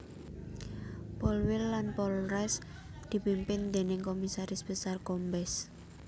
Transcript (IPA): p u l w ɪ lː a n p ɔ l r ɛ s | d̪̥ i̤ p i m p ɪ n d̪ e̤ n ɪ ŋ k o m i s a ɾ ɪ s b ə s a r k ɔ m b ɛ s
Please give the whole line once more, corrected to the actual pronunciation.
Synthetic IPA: p ɔ l w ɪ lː a n p ɔ l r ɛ s | d̪̥ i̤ p i m p ɪ n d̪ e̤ n ɪ ŋ k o m i s a ɾ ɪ s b ə s a r k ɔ m b ɛ s